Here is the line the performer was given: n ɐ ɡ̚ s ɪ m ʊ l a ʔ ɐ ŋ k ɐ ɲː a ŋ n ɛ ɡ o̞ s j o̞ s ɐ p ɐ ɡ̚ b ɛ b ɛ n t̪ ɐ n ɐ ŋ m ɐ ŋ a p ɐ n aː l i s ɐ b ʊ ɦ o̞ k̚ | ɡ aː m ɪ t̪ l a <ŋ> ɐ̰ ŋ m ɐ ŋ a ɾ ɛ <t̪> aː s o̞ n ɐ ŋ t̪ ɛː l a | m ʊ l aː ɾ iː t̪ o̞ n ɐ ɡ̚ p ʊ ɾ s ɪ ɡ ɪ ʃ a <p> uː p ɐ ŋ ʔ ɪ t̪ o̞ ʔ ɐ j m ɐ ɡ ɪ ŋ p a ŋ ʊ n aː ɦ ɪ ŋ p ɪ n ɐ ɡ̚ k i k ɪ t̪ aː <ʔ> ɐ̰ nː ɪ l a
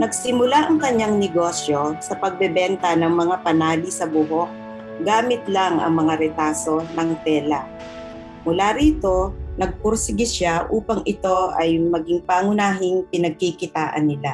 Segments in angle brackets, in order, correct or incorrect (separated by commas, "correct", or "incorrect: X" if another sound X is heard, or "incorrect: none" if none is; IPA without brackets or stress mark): correct, correct, incorrect: ʔ, correct